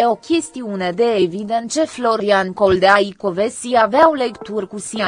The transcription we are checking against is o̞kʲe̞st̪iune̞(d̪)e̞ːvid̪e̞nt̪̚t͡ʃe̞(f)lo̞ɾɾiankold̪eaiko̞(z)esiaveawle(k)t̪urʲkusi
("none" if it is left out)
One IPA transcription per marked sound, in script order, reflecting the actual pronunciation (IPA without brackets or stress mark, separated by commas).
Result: d̪, f, v, k